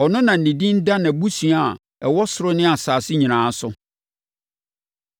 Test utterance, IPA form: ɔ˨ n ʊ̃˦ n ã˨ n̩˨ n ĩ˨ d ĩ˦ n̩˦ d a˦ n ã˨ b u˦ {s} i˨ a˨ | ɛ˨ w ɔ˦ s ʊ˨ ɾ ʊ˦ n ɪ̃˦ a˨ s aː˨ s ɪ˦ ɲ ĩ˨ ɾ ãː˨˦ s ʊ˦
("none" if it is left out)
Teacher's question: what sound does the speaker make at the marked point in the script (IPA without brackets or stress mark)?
s